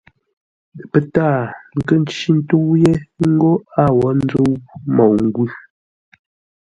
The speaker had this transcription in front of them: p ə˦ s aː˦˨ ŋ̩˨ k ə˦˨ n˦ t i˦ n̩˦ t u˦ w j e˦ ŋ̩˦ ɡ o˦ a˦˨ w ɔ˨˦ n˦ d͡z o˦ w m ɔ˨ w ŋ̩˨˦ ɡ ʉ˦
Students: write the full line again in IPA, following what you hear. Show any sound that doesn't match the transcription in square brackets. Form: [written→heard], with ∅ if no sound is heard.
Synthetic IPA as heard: p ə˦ [s→t] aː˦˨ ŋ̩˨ k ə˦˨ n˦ [t→t͡ʃ] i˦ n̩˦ t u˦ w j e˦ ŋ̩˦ ɡ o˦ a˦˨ w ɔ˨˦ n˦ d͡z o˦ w m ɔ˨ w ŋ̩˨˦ ɡ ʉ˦